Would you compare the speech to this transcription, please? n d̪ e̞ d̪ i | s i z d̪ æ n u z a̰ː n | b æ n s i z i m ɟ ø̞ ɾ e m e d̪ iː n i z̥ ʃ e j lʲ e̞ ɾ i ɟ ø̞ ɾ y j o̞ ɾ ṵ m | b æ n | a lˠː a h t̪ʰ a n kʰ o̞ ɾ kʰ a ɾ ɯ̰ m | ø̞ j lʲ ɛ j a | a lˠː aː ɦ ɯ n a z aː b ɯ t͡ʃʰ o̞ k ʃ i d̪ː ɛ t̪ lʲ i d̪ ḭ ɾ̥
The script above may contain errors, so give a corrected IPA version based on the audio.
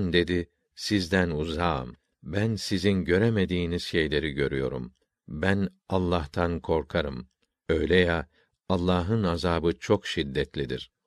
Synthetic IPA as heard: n d̪ e̞ d̪ i | s i z d̪ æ n u z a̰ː m | b æ n s i z i n ɟ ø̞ ɾ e m e d̪ iː n i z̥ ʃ e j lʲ e̞ ɾ i ɟ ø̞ ɾ y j o̞ ɾ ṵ m | b æ n | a lˠː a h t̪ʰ a n kʰ o̞ ɾ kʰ a ɾ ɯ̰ m | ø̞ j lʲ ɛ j a | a lˠː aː ɦ ɯ n a z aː b ɯ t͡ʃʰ o̞ k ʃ i d̪ː ɛ t̪ lʲ i d̪ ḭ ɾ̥